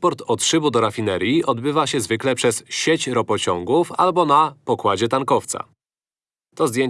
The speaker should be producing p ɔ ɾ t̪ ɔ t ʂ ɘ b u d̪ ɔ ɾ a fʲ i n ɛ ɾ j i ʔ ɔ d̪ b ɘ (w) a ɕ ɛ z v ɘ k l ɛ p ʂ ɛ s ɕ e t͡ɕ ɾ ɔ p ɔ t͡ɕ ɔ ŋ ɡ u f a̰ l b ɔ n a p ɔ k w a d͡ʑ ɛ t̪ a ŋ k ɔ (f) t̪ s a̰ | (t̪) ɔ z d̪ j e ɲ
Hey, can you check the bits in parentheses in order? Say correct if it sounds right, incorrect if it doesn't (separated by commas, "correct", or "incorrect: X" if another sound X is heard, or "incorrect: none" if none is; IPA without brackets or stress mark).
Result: incorrect: v, correct, correct